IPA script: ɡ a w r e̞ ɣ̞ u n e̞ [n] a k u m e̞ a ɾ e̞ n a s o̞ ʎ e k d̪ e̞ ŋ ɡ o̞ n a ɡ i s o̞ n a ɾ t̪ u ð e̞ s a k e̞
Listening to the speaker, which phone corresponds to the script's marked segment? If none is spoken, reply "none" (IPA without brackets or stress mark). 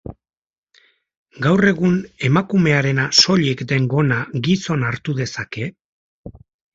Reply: m